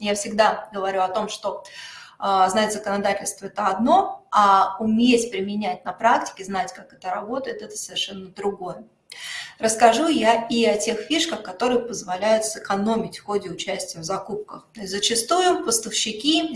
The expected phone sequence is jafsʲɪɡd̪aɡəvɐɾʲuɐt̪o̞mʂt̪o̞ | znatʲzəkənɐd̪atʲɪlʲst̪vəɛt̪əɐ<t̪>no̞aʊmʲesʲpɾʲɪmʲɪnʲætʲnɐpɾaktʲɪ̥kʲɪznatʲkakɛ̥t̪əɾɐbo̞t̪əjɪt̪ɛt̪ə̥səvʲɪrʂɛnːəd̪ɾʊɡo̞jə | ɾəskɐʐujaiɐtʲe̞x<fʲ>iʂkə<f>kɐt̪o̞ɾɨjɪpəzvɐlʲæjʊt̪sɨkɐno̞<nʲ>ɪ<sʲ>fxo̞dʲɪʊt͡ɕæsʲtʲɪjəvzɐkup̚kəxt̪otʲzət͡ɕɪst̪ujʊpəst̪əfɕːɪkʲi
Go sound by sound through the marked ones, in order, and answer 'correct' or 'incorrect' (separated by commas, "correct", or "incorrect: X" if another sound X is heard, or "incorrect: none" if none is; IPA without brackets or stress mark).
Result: incorrect: d̪, correct, incorrect: x, incorrect: mʲ, incorrect: tʲ